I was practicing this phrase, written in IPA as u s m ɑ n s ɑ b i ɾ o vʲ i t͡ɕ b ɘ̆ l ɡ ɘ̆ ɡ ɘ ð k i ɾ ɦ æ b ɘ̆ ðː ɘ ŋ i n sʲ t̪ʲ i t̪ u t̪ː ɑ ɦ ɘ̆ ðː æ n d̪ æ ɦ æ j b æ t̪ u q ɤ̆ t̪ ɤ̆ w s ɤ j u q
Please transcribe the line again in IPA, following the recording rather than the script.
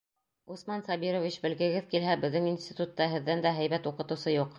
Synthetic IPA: u s m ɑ n s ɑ b i ɾ o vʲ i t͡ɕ b ɘ̆ l ɡ ɘ̆ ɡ ɘ ð k i l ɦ æ b ɘ̆ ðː ɘ ŋ i n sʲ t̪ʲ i t̪ u t̪ː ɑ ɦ ɘ̆ ðː æ n d̪ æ ɦ æ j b æ t̪ u q ɤ̆ t̪ ɤ̆ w s ɤ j u q